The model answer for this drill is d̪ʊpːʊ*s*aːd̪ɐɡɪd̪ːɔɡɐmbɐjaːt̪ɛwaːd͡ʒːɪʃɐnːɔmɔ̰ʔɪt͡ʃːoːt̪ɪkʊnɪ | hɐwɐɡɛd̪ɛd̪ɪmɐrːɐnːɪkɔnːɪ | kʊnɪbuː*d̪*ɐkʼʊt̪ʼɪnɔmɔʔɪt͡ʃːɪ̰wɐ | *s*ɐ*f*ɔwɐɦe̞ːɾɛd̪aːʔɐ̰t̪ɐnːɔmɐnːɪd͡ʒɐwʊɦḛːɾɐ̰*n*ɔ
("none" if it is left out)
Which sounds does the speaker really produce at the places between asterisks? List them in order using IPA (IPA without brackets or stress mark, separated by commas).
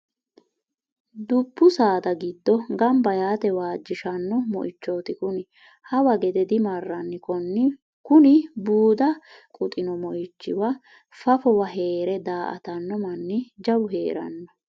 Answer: s, d̪, f, f, nː